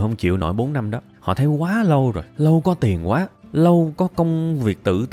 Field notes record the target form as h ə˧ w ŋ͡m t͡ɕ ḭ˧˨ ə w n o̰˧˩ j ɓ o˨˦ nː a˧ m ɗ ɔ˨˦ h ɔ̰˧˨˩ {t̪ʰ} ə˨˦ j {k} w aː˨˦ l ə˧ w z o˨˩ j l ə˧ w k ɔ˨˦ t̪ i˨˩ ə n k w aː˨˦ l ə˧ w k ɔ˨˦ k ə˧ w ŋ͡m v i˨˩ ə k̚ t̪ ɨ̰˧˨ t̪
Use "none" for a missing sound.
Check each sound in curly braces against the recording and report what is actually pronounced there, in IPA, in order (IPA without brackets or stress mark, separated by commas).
t̪ʰ, k